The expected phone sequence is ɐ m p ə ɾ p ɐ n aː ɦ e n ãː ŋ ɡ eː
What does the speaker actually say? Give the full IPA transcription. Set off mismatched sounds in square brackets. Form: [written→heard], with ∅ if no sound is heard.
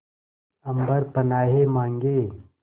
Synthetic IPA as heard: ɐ m [p→b] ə ɾ p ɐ n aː ɦ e [n→m] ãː ŋ ɡ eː